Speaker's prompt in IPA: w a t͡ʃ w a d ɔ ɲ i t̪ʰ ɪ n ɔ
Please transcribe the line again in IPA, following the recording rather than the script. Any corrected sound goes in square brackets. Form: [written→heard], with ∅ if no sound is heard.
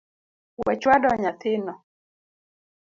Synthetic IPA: w [a→ɛ] t͡ʃ w a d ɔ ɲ [i→a] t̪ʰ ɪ n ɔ